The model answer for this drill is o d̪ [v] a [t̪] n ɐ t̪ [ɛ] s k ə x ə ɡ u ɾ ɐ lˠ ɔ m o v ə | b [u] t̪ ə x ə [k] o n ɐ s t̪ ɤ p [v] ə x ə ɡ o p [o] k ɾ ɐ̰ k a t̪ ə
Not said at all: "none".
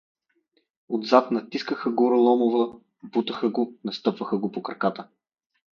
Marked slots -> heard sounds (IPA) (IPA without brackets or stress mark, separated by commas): z, t̪, i, u, ɡ, v, o